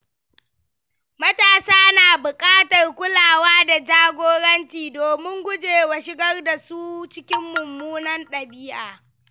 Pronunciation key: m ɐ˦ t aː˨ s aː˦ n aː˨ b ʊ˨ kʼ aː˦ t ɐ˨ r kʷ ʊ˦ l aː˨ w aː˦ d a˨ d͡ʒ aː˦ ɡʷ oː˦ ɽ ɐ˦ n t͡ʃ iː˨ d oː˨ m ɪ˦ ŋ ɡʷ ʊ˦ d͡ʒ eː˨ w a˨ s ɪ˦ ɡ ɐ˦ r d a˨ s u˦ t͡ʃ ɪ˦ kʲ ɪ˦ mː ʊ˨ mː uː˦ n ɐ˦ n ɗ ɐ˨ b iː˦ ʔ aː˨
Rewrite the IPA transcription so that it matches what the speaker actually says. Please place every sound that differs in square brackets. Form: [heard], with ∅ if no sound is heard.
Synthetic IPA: m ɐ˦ t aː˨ s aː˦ n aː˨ b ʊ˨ kʼ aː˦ t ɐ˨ r kʷ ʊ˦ l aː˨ w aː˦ d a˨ d͡ʒ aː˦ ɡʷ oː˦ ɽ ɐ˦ n t͡ʃ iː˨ d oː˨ m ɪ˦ ŋ ɡʷ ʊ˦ d͡ʒ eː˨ w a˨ [ʃ] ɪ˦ ɡ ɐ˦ r d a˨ s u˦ t͡ʃ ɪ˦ kʲ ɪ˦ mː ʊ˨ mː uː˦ n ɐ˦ n ɗ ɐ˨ b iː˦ ʔ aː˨